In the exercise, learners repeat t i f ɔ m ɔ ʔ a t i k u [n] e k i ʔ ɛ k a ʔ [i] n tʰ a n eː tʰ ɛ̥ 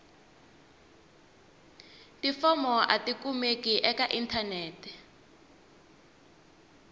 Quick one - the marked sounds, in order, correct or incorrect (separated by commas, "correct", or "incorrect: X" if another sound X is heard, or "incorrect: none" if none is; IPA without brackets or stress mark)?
incorrect: m, correct